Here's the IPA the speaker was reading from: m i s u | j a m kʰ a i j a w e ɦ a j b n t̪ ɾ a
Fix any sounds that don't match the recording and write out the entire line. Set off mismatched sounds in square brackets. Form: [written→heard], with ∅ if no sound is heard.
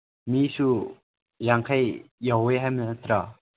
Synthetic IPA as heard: m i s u | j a [m→ŋ] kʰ a [i→j] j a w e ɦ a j [b→m] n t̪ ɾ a

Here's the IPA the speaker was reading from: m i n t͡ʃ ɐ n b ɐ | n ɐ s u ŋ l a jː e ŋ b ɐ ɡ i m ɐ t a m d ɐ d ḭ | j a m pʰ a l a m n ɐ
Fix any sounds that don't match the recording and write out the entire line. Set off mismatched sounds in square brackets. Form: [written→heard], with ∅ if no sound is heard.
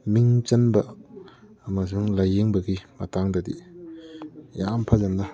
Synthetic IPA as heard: m i [n→ŋ] t͡ʃ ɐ n b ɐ | [n→m] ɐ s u ŋ l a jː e ŋ b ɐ ɡ i m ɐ t a [m→ŋ] d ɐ d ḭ | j a m pʰ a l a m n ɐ

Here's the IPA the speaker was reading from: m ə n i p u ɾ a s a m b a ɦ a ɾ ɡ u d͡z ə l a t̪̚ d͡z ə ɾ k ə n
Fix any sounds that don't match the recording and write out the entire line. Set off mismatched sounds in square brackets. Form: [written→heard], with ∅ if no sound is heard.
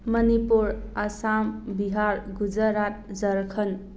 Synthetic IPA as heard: m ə n i p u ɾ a s a m b [a→i] ɦ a ɾ ɡ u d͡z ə [l→ɾ] a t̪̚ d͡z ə ɾ [k→kʰ] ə n

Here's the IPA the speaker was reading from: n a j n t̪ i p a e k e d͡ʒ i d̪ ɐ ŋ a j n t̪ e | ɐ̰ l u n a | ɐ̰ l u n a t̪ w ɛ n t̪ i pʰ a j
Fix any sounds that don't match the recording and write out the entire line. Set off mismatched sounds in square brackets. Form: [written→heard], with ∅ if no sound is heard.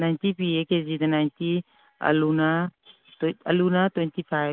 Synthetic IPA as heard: n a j n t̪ i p [a→i] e k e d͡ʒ i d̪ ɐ [ŋ→n] a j n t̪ [e→i] | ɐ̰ l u n a | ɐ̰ l u n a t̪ w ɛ n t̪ i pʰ a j

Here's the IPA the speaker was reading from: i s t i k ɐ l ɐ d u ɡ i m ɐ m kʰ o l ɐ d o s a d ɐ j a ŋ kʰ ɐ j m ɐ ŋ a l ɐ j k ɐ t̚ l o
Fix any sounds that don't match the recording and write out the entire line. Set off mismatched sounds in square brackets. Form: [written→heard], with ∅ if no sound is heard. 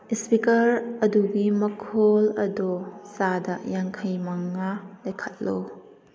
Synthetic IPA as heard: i s [t→p] i k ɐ [l→ɾ] ɐ d u ɡ i m ɐ [m→∅] kʰ o l ɐ d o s a d ɐ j a ŋ kʰ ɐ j m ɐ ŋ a l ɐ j [k→kʰ] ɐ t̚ l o

